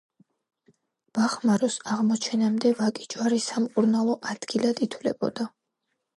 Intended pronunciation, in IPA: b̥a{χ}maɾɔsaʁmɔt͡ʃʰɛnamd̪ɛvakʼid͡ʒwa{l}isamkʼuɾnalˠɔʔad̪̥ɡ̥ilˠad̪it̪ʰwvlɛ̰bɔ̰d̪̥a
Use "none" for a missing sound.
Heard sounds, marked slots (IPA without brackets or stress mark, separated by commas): χ, ɾ